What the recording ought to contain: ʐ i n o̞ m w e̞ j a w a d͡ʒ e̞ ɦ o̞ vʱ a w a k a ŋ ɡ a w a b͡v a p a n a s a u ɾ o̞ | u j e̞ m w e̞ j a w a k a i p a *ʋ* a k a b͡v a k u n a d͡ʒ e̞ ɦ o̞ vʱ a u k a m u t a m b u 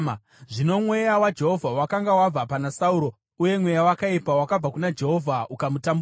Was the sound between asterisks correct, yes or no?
no